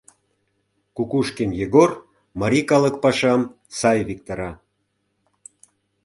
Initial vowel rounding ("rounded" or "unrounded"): rounded